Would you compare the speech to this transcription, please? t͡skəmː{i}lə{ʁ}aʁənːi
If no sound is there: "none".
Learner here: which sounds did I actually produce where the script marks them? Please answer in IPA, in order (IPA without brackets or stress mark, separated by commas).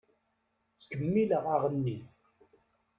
i, ʁ